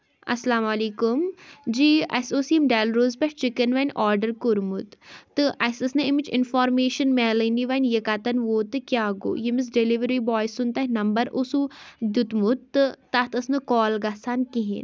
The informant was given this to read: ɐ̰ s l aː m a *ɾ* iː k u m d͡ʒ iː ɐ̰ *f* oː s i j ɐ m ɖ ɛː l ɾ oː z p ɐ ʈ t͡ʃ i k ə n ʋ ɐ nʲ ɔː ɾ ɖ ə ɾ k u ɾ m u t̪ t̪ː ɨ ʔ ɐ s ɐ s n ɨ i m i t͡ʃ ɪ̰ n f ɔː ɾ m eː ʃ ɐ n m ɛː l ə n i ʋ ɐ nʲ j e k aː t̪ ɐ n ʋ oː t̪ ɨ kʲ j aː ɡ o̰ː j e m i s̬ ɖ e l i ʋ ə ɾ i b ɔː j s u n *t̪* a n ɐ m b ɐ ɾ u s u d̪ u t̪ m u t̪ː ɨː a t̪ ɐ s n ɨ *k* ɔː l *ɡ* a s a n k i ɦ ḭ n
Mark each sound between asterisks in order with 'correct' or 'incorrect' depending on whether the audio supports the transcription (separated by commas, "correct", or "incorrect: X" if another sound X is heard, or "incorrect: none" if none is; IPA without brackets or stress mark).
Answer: incorrect: l, incorrect: s, correct, correct, correct